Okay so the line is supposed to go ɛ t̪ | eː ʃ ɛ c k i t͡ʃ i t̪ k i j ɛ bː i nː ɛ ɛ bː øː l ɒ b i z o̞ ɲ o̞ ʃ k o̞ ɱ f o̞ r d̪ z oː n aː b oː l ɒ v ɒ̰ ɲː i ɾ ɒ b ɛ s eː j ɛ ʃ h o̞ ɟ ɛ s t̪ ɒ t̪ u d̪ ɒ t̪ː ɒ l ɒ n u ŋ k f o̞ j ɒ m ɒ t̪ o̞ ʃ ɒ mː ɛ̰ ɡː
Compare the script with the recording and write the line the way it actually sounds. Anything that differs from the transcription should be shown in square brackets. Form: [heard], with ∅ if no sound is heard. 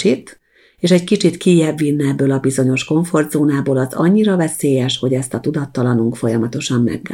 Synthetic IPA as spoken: [i] t̪ | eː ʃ ɛ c k i t͡ʃ i t̪ k i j ɛ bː i nː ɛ ɛ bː øː l ɒ b i z o̞ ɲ o̞ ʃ k o̞ ɱ f o̞ r d̪ z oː n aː b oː l ɒ [z] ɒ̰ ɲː i ɾ ɒ [v] ɛ s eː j ɛ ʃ h o̞ ɟ ɛ s t̪ ɒ t̪ u d̪ ɒ t̪ː ɒ l ɒ n u ŋ k f o̞ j ɒ m ɒ t̪ o̞ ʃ ɒ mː ɛ̰ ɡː